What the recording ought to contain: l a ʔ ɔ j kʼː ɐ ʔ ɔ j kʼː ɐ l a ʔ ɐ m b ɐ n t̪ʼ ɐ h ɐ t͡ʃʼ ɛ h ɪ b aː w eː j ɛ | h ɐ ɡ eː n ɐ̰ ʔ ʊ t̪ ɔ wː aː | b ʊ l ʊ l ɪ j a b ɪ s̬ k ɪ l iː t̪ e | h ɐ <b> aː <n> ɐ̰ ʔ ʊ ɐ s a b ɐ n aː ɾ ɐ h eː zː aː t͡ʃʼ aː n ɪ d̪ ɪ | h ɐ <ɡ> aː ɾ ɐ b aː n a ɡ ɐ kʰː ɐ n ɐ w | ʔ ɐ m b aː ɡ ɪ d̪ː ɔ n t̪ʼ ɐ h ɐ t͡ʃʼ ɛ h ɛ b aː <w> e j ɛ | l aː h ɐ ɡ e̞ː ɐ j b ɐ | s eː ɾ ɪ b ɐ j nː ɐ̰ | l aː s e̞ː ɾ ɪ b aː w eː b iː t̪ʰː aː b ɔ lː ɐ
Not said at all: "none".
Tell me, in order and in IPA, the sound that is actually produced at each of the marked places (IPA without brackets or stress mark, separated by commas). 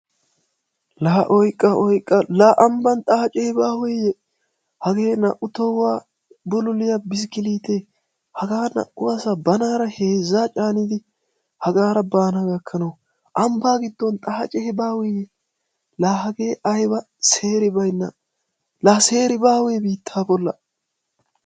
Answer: ɡ, n, ɡ, w